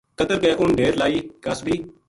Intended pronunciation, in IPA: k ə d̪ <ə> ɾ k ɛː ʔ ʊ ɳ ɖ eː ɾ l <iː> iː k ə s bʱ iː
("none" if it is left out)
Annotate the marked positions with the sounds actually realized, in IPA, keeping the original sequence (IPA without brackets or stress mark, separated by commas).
ə, aː